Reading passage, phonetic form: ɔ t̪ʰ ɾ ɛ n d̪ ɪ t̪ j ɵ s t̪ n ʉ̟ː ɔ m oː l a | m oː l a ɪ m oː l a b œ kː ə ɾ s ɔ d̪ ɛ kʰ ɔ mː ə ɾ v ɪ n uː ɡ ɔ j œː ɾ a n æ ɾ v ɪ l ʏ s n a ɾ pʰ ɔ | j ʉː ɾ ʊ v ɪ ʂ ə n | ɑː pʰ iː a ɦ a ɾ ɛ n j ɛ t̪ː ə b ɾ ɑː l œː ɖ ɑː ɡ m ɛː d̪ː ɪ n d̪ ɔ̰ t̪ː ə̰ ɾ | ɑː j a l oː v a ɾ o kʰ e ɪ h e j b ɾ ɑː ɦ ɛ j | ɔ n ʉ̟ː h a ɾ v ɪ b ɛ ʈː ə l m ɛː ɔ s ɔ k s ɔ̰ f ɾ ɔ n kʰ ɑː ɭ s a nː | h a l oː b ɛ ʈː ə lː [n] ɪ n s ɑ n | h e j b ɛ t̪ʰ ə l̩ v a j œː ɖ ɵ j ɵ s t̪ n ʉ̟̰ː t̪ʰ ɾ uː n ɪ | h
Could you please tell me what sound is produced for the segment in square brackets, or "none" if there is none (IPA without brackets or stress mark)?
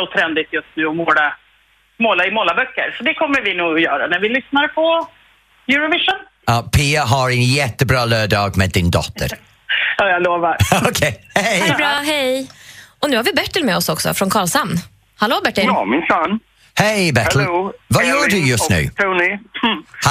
m